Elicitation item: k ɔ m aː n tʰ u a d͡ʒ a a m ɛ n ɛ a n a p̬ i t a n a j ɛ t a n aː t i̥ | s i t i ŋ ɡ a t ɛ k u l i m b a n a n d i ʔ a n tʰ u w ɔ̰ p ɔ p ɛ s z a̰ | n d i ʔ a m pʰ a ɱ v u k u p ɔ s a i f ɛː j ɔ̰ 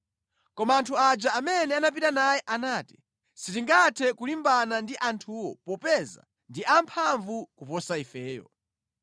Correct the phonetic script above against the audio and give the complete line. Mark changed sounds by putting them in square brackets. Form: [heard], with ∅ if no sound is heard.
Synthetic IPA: k ɔ m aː n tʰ u a d͡ʒ a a m ɛ n ɛ a n a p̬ i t a n a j ɛ [ʔ] a n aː t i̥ | s i t i ŋ ɡ a [tʰ] ɛ k u l i m b a n a n d i ʔ a n tʰ u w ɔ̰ p ɔ p ɛ [∅] z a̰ | n d i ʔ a m pʰ a ɱ v u k u p ɔ s a i f ɛː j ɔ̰